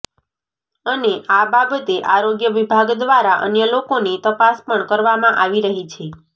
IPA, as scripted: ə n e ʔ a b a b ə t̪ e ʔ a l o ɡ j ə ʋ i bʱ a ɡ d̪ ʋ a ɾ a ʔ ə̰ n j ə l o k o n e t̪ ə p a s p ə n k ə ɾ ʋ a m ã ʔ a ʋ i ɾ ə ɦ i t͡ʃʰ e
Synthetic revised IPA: ə n e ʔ a b a b ə t̪ e ʔ a ɾ o ɡ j ə ʋ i bʱ a ɡ d̪ ʋ a ɾ a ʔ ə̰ n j ə l o k o n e t̪ ə p a s p ə ɳ k ə ɾ ʋ a m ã ʔ a ʋ i ɾ ə ɦ i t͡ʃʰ e